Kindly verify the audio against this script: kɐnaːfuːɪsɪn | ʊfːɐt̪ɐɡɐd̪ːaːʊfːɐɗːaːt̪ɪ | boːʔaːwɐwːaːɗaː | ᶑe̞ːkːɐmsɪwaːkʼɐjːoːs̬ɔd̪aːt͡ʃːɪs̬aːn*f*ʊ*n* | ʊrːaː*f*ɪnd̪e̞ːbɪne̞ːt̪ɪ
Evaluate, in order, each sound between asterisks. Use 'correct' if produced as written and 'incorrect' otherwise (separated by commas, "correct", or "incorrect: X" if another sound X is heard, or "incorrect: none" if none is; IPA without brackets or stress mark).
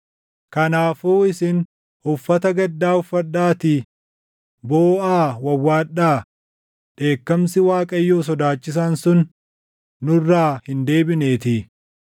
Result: incorrect: s, incorrect: nː, incorrect: h